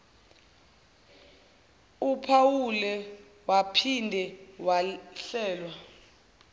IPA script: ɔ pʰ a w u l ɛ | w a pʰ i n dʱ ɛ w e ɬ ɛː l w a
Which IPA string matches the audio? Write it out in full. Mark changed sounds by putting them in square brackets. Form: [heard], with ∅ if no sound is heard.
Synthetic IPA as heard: [u] pʰ a w u l ɛ | w a pʰ i n dʱ ɛ w [a] ɬ ɛː l w a

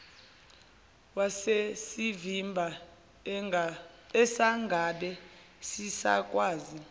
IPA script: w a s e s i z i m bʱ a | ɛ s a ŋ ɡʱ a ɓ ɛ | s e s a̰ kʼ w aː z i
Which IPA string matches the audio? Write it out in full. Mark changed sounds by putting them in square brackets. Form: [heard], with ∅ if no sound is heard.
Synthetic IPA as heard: w a s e s i [v] i m bʱ a | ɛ s a ŋ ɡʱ a ɓ ɛ | s [i] s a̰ kʼ w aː z i

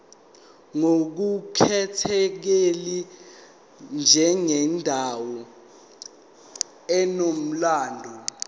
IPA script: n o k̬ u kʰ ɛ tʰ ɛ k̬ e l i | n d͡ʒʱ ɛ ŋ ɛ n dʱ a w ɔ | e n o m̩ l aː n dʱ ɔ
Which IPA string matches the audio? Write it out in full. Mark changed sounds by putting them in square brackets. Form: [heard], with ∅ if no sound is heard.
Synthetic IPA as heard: [ŋ] o k̬ u kʰ ɛ tʰ ɛ k̬ e l i | n d͡ʒʱ ɛ ŋ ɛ n dʱ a w ɔ | [ɛ] n o m̩ l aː n dʱ ɔ

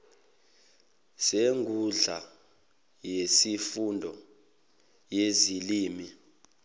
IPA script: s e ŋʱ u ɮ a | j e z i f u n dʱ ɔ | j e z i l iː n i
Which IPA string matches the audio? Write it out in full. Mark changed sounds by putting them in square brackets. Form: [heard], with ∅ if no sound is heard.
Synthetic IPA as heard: s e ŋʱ u ɮ a | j e [s] i f u n dʱ ɔ | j e z i l iː [m] i

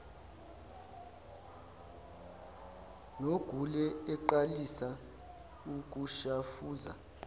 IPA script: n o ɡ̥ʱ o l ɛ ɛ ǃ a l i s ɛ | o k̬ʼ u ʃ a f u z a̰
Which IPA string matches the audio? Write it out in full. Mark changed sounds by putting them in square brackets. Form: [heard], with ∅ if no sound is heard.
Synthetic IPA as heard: n o ɡ̥ʱ [u] l ɛ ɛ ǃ a l i s [a] | [u] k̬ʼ u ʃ a f [uː] z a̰

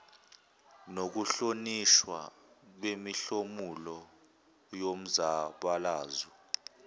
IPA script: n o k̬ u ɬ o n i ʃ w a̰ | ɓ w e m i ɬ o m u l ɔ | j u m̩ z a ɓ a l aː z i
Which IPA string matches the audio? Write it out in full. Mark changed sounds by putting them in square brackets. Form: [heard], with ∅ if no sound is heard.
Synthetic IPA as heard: n o k̬ u ɬ o n i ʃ w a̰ | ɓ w e m i ɬ o m u l ɔ | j [o] m̩ z a ɓ a l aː z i

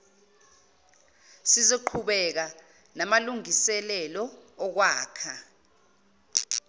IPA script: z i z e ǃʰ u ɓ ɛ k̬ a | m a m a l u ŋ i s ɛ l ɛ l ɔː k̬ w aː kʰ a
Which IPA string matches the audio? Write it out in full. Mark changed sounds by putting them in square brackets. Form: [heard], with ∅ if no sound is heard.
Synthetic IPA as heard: [s] i z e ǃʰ u ɓ ɛ k̬ a | [n] a m a l u ŋ i s ɛ l ɛ l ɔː k̬ w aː kʰ a

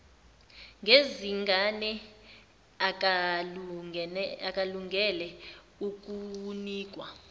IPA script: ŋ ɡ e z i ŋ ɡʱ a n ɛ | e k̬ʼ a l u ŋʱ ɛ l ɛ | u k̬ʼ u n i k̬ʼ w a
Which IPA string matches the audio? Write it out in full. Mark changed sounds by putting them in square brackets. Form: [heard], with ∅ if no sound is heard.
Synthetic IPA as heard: ŋ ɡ e z i ŋ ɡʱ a n ɛ | [a] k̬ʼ a l u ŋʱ ɛ l ɛ | u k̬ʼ u n [iː] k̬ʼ w a

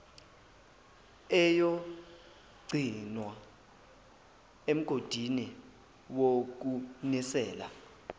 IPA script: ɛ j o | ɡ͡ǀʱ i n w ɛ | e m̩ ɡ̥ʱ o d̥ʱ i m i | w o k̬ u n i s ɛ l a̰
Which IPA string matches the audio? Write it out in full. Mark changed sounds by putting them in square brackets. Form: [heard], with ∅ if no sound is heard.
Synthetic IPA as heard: ɛ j o | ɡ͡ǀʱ i n w [a] | e m̩ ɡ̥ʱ o d̥ʱ i [n] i | w o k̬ u n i s [ɛː] l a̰

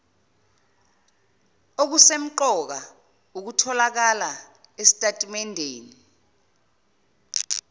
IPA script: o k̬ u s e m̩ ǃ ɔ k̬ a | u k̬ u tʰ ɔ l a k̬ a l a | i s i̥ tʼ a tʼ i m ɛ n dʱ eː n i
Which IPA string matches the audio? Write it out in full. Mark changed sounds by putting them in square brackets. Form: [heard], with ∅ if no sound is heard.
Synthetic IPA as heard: o k̬ u s e m̩ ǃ ɔ k̬ a | u k̬ u tʰ ɔ l a k̬ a l a | [e] s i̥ tʼ a tʼ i m ɛ n dʱ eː n i

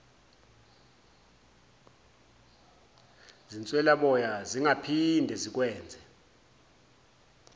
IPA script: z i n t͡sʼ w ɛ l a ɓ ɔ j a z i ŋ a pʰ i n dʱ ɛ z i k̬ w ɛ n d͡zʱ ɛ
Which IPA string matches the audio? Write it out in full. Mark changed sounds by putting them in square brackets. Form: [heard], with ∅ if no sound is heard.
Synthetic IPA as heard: z i n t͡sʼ w ɛ l a ɓ ɔ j a z i ŋ a pʰ i n dʱ ɛ z i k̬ w [ɛː] n d͡zʱ ɛ

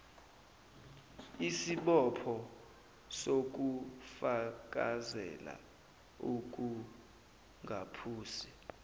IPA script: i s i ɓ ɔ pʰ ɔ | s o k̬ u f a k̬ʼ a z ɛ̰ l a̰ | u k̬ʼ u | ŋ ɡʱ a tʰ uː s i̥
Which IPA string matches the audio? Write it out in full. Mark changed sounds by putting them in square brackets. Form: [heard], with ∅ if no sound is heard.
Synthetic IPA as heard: i s i ɓ ɔ pʰ ɔ | s o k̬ u f a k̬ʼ a z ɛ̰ l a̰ | u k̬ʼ u | ŋ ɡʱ a [pʰ] uː s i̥

